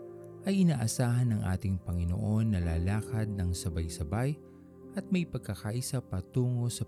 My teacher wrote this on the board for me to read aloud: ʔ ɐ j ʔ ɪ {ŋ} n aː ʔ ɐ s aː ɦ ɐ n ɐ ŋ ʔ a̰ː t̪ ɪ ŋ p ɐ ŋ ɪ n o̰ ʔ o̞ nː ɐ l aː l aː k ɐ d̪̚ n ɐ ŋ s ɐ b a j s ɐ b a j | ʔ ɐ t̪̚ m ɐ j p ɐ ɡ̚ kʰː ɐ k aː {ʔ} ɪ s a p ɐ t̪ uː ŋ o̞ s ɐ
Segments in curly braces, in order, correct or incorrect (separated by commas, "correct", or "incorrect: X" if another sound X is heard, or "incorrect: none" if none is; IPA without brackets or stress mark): incorrect: none, correct